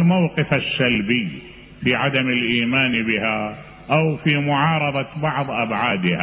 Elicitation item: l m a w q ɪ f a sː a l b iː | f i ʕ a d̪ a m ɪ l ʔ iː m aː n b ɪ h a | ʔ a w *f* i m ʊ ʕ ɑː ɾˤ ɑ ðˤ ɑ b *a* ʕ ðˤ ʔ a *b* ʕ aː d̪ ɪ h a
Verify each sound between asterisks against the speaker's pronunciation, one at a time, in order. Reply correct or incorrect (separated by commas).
correct, incorrect, correct